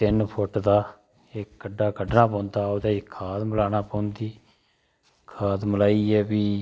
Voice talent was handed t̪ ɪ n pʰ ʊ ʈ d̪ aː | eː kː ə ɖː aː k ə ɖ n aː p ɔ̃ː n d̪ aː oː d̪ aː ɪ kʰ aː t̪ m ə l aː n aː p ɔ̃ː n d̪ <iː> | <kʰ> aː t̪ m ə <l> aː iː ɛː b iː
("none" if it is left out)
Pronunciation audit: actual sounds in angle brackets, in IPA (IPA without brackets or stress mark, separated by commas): iː, kʰ, l